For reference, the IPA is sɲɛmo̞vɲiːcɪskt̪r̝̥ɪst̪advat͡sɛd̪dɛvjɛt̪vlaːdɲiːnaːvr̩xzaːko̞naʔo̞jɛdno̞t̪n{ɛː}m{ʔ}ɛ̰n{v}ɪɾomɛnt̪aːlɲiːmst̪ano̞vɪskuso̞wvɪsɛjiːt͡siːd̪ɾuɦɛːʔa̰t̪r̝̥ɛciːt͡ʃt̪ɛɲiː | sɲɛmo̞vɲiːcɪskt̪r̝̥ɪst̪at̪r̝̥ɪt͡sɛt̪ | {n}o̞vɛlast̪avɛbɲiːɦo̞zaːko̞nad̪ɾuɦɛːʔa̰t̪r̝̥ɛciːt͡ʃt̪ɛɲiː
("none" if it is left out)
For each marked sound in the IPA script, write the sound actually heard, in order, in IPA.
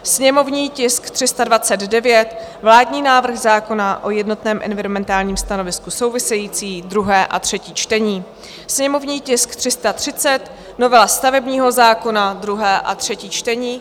ɛː, ʔ, v, n

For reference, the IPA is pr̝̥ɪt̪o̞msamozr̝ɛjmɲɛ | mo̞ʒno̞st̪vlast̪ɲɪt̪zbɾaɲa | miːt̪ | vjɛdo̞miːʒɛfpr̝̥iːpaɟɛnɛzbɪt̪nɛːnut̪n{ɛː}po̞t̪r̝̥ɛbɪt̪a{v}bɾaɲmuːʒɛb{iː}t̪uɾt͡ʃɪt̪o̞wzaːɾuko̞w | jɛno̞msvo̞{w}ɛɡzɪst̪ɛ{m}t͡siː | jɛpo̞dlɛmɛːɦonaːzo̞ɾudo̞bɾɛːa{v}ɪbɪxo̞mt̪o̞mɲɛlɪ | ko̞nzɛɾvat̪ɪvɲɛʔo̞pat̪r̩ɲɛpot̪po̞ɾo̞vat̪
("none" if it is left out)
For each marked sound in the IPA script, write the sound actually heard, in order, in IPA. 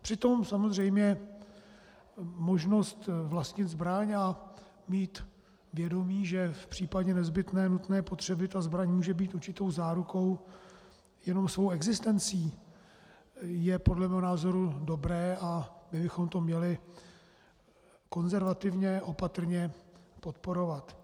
ɛː, z, iː, w, n, b

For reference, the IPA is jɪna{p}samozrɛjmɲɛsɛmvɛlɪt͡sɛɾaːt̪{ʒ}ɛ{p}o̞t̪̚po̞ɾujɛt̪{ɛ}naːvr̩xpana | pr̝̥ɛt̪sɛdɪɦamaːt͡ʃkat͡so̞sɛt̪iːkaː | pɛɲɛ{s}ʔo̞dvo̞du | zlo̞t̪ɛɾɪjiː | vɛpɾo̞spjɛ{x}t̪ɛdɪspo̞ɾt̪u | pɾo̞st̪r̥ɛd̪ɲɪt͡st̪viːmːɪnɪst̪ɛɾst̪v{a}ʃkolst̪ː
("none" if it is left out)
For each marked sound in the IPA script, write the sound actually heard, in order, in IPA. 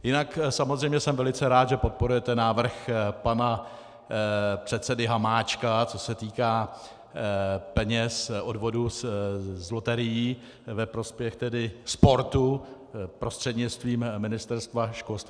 k, ʒ, p, ɛ, s, x, a

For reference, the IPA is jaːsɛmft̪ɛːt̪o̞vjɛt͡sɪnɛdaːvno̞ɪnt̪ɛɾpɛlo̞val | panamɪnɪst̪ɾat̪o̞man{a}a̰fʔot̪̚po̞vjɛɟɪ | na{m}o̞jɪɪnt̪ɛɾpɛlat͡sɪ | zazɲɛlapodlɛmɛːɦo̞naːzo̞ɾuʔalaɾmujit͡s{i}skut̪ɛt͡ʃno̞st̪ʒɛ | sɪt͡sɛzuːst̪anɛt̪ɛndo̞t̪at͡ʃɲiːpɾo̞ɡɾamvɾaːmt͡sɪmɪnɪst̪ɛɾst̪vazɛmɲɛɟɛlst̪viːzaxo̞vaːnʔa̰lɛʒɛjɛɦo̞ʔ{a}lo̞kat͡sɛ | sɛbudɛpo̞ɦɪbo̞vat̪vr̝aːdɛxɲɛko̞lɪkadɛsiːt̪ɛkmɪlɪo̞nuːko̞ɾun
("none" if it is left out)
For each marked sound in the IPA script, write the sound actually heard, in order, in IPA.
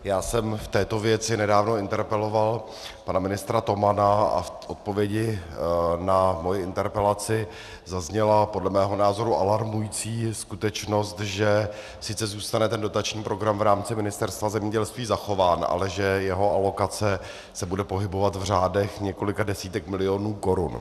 a, m, iː, a

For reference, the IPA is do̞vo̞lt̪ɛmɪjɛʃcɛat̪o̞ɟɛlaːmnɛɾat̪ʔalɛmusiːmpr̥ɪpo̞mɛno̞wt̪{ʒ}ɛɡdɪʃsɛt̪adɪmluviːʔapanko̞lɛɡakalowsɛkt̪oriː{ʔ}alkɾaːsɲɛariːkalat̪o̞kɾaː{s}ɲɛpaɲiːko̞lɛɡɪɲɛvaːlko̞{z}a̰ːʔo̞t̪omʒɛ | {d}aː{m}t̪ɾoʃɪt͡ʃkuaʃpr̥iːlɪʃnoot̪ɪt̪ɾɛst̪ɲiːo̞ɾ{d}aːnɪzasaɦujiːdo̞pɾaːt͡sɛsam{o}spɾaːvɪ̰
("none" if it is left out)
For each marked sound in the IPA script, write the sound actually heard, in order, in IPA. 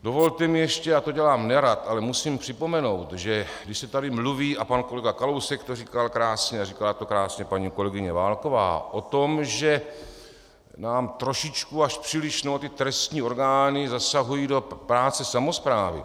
ʒ, k, s, v, n, m, ɡ, o

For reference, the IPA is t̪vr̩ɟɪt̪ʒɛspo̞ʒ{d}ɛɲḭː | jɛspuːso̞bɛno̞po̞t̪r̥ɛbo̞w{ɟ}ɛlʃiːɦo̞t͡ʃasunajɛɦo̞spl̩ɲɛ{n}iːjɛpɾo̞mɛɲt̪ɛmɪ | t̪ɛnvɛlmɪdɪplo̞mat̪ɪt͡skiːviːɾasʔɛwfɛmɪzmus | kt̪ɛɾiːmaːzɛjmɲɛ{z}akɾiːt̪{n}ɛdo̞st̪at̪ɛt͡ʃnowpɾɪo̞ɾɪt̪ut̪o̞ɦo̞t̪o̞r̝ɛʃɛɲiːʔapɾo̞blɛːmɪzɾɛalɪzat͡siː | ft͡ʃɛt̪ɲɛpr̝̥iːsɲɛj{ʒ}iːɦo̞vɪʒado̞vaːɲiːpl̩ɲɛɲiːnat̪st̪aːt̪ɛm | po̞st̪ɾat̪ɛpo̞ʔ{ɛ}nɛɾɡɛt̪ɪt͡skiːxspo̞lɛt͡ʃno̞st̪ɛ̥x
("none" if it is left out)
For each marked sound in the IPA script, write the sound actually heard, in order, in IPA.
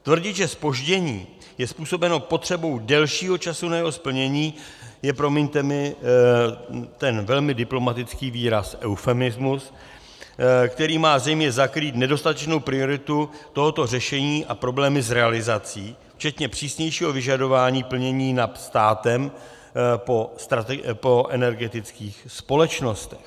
ɟ, d, ɲ, z, n, ʃ, ɛ

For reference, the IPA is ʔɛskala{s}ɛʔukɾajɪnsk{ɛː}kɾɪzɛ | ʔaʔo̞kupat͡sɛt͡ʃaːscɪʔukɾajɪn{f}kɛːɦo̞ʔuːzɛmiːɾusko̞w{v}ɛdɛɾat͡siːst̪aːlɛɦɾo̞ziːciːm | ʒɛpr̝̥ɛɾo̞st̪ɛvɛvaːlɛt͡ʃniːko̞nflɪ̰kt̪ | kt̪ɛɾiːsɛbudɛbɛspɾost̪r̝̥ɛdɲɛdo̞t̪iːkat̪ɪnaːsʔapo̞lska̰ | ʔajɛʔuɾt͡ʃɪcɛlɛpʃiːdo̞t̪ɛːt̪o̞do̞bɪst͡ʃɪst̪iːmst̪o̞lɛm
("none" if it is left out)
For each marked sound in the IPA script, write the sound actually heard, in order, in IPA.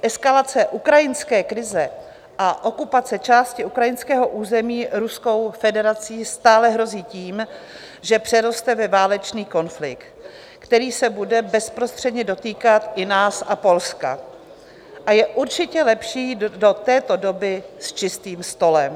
t͡s, ɛː, s, f

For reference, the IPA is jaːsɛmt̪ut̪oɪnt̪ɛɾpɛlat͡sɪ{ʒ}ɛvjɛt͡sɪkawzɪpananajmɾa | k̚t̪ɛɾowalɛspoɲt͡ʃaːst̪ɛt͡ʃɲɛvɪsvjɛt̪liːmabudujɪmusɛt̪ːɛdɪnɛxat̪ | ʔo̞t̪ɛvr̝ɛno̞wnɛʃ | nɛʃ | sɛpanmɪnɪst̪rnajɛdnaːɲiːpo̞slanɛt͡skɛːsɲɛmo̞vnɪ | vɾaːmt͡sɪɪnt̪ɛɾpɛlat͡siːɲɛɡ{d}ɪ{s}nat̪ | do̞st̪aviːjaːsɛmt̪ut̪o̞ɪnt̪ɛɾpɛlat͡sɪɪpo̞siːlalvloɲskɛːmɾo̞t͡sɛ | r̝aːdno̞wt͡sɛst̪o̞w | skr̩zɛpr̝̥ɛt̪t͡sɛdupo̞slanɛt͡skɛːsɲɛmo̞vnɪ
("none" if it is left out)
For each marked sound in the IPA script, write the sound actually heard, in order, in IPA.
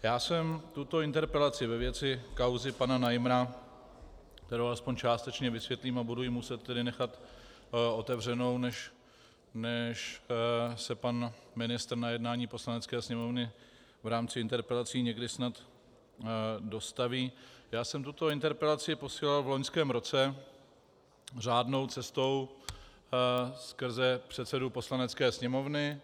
v, d, s

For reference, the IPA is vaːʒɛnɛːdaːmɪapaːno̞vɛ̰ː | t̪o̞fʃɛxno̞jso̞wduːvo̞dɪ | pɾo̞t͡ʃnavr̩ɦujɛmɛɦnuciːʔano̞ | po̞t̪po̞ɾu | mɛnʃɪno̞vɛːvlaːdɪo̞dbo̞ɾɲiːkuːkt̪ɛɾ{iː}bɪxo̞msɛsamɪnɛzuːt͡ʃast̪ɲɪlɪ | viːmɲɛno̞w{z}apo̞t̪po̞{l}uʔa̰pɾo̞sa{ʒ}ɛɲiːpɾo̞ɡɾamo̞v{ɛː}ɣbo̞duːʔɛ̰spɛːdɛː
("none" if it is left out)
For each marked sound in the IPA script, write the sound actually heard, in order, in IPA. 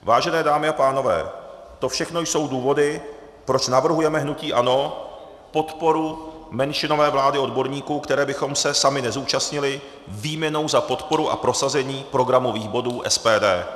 ɛː, z, ɾ, z, iː

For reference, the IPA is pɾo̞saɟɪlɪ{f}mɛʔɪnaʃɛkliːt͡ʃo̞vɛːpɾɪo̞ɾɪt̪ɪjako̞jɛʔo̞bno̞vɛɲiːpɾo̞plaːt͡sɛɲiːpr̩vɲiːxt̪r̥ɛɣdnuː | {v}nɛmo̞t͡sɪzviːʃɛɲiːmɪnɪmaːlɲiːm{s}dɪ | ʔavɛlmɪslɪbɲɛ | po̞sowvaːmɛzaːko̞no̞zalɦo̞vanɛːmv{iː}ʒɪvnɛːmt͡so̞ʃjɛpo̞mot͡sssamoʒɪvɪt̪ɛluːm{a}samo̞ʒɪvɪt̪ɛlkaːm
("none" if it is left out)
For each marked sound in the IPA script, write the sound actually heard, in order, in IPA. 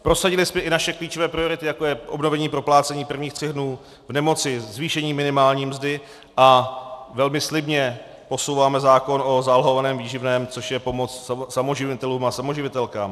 s, v, z, iː, a

